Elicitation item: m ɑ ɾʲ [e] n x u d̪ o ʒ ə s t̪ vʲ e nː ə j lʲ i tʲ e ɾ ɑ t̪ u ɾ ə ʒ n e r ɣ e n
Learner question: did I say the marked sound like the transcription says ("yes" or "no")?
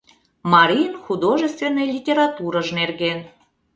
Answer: no